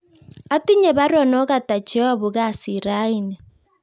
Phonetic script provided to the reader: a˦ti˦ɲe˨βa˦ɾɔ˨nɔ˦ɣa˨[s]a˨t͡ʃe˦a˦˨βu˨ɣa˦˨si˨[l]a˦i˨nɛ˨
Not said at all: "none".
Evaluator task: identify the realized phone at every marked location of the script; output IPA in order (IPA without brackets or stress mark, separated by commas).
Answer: t, ɾ